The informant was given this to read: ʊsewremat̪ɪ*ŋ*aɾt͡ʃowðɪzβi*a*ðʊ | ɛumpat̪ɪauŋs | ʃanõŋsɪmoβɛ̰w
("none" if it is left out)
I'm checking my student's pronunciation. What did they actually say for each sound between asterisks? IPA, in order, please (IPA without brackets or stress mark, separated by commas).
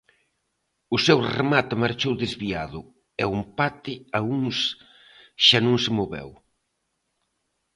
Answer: m, a